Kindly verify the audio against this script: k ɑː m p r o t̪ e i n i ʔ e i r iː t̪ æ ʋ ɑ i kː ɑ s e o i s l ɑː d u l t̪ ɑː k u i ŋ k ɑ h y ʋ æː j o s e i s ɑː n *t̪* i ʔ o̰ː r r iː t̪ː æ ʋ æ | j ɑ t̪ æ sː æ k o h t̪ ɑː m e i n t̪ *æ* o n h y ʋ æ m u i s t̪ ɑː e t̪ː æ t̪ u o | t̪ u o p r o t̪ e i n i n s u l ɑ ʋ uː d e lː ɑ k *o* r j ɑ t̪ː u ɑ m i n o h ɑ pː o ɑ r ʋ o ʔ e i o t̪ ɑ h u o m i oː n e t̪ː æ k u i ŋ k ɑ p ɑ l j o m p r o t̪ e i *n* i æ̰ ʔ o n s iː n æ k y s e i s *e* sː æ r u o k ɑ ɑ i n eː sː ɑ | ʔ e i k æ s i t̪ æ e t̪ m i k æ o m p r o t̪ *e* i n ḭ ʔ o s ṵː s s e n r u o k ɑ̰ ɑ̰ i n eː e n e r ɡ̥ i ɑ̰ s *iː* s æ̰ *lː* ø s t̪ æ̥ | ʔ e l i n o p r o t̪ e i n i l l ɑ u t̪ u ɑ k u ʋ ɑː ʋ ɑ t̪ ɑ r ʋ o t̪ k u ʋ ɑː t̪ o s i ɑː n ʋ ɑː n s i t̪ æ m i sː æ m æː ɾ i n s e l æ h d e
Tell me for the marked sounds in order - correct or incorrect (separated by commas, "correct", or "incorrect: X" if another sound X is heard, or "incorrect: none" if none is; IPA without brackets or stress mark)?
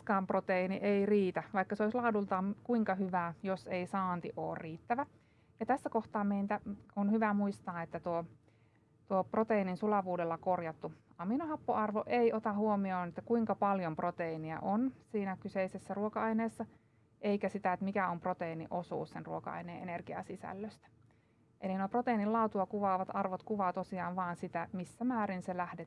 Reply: correct, correct, correct, correct, correct, correct, incorrect: i, correct